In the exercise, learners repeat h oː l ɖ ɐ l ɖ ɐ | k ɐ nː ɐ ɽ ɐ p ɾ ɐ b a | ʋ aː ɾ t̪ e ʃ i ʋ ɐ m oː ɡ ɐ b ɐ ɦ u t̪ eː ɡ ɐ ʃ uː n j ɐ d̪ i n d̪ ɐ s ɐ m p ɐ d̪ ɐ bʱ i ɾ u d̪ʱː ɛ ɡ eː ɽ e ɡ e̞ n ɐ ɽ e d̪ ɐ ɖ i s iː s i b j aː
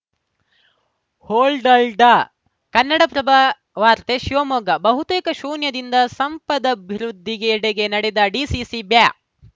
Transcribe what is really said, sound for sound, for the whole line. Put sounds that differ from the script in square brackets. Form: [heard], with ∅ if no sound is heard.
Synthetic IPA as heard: h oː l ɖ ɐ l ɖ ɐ | k ɐ nː ɐ ɽ ɐ p ɾ ɐ b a | ʋ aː ɾ t̪ e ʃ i ʋ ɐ m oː ɡ ɐ b ɐ ɦ u t̪ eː [k] ɐ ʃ uː n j ɐ d̪ i n d̪ ɐ s ɐ m p ɐ d̪ ɐ bʱ i ɾ u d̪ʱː [i] ɡ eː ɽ e ɡ e̞ n ɐ ɽ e d̪ ɐ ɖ i s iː s i b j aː